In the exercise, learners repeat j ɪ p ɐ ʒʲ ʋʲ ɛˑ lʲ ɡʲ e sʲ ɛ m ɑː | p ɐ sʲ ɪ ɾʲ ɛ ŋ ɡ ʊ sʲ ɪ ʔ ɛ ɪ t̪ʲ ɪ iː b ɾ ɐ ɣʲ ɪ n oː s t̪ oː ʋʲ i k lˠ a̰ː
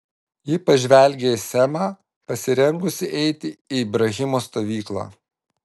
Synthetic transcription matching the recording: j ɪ p ɐ ʒʲ ʋʲ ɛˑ lʲ ɡʲ e sʲ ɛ m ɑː | p ɐ sʲ ɪ ɾʲ ɛ ŋ ɡ ʊ sʲ ɪ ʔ ɛ ɪ t̪ʲ ɪ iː b ɾ ɐ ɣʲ ɪ m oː s t̪ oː ʋʲ iː k lˠ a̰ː